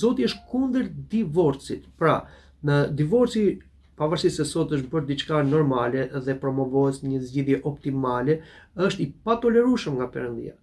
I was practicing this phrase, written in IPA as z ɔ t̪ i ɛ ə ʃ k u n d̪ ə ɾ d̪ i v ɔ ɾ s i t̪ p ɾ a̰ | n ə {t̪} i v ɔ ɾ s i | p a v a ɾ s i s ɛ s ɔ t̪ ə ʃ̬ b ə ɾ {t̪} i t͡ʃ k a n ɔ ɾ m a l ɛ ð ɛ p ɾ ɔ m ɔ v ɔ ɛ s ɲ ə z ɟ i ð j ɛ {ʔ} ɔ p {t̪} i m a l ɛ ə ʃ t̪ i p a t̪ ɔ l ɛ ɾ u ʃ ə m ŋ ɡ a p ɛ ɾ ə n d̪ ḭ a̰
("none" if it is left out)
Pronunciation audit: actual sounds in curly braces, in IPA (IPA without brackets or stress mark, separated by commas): d̪, d̪, ʔ, t̪